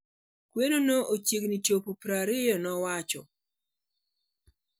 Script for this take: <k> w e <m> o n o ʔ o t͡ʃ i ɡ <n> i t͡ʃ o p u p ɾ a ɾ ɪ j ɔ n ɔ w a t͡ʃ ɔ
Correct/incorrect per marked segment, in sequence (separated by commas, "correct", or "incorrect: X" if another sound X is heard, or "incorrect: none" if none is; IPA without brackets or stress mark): correct, incorrect: n, correct